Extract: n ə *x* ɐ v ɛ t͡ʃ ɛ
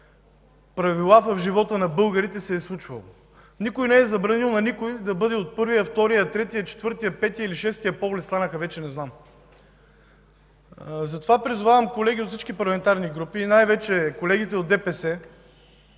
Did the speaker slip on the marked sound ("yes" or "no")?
no